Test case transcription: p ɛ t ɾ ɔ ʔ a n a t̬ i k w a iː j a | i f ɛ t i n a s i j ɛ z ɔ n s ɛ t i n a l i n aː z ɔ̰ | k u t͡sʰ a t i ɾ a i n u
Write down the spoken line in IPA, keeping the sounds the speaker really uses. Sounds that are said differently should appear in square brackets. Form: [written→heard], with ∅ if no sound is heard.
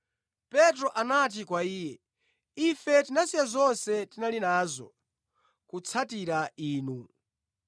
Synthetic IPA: p ɛ t ɾ ɔ ʔ a n a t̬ i k w a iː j [a→ɛ] | i f ɛ t i n a s i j [ɛ→a] z ɔ n s ɛ t i n a l i n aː z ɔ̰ | k u t͡sʰ a t i ɾ a [i→iː] n u